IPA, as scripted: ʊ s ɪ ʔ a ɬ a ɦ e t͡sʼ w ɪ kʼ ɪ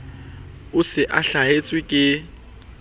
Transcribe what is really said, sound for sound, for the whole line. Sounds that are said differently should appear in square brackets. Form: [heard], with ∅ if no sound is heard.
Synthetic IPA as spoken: ʊ s ɪ ʔ a ɬ a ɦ e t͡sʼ w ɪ kʼ ɪ